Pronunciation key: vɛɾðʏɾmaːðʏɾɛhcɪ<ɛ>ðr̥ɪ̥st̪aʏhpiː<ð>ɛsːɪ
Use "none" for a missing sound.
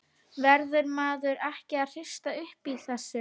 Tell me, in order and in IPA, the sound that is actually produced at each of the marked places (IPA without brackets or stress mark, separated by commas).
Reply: a, θ